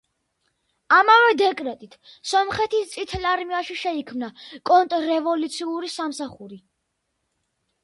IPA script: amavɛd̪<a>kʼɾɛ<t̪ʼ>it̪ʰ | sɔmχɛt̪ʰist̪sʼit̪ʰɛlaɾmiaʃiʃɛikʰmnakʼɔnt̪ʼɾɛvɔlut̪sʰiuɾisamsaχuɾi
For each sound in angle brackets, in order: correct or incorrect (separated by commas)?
incorrect, correct